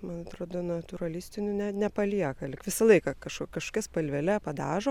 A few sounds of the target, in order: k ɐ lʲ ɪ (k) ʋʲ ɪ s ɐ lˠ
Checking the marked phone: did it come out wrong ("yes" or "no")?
no